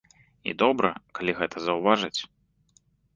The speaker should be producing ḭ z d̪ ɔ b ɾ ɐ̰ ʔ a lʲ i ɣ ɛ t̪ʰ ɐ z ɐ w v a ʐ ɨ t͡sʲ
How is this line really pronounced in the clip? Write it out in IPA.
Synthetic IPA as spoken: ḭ d̪ ɔ b ɾ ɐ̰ k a lʲ i ɣ ɛ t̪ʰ ɐ z ɐ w v a ʐ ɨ t͡sʲ

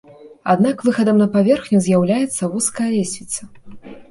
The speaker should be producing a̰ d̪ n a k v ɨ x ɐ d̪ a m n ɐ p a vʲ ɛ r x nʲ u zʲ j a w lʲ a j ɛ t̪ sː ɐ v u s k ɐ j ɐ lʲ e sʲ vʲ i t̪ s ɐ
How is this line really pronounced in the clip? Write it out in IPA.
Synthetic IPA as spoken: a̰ d̪ n a k v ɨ x ɐ d̪ ɐ m n ɐ p a vʲ ɛ r x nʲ u zʲ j a w lʲ a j ɛ t̪ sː ɐ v u s k ɐ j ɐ lʲ e sʲ vʲ i t̪ s ɐ

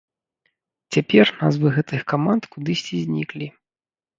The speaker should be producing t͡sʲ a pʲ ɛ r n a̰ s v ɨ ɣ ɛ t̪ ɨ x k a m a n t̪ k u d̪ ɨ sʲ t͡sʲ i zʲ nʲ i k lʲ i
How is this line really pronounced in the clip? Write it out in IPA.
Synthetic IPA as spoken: t͡sʲ a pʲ ɛ r n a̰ z v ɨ ɣ ɛ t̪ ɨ x k a m a n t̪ k u d̪ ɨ sʲ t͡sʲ i zʲ nʲ i k lʲ i

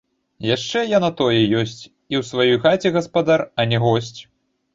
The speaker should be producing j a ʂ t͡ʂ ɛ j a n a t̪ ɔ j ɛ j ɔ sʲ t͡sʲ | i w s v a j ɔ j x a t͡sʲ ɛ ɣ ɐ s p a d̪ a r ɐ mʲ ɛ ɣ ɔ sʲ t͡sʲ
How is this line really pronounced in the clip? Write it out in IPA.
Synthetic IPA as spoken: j a ʂ t͡ʂ ɛ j a n a t̪ ɔ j ɛ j ɔ sʲ t͡sʲ | i w s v a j ɔ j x a t͡sʲ ɛ ɣ ɐ s p a d̪ a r ɐ nʲ ɛ ɣ ɔ sʲ t͡sʲ

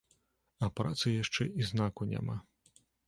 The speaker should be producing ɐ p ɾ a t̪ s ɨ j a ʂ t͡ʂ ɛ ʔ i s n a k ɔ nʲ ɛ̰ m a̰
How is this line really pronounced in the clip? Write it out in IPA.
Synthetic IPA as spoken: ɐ p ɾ a t̪ s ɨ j a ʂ t͡ʂ ɛ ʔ i z n a k u nʲ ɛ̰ m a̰

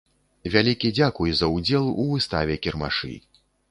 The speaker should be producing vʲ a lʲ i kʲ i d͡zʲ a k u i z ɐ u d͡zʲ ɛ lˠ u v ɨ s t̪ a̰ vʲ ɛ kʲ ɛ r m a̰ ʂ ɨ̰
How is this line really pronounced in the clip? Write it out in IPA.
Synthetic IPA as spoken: vʲ a lʲ i kʲ i d͡zʲ a k u j z ɐ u d͡zʲ ɛ lˠ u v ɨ s t̪ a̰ vʲ ɛ kʲ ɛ r m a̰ ʂ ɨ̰

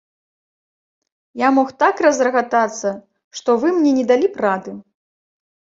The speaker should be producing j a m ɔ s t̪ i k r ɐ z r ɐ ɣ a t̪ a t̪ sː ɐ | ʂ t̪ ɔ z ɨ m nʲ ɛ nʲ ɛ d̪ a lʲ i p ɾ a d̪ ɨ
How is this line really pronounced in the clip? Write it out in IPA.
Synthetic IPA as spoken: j a m ɔ x t̪ a k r ɐ z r ɐ ɣ a t̪ a t̪ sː ɐ | ʂ t̪ ɔ v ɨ m nʲ ɛ nʲ ɛ d̪ a lʲ i p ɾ a d̪ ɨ

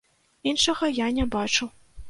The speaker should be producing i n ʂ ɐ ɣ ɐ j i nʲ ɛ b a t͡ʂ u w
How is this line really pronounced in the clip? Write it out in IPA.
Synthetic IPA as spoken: i n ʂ ɐ ɣ ɐ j a nʲ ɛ b a t͡ʂ u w

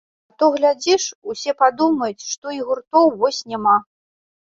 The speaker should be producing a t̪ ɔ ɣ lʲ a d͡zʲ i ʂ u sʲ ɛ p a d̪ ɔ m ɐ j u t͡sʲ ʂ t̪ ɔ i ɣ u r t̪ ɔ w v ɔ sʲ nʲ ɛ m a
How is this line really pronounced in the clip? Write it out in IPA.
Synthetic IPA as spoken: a t̪ ɔ ɣ lʲ a d͡zʲ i ʂ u sʲ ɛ p a d̪ u m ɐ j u t͡sʲ ʂ t̪ ɔ i ɣ u r t̪ ɔ w v ɔ sʲ nʲ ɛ m a

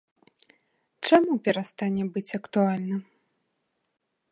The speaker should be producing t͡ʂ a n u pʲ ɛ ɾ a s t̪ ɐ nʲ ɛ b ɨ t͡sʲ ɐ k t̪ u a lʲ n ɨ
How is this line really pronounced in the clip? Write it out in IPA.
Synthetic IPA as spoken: t͡ʂ a m u pʲ ɛ ɾ a s t̪ a nʲ ɛ b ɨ t͡sʲ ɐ k t̪ u a lʲ n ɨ

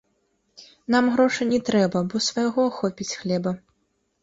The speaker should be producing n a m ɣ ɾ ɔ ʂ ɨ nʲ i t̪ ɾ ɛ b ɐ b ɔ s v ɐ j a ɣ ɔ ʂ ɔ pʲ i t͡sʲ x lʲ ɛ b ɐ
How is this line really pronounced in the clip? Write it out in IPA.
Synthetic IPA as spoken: n a m ɣ ɾ ɔ ʂ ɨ nʲ ɛ t̪ ɾ ɛ b ɐ b ɔ s v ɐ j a ɣ ɔ x ɔ pʲ i t͡sʲ x lʲ ɛ b ɐ

